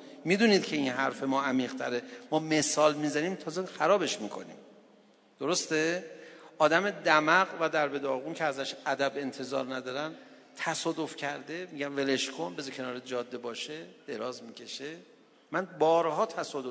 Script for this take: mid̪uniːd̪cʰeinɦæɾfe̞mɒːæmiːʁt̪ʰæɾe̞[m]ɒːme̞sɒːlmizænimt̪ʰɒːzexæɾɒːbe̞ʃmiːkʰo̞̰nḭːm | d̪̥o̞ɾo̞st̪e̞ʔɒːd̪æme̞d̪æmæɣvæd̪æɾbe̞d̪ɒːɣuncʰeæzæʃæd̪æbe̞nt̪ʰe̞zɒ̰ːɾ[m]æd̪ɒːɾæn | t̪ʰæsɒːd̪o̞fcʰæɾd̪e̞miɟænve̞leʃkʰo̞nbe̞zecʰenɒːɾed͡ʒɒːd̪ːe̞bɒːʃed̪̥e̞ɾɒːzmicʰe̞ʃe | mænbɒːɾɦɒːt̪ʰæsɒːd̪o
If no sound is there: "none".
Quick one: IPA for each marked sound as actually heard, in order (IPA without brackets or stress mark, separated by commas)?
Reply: m, n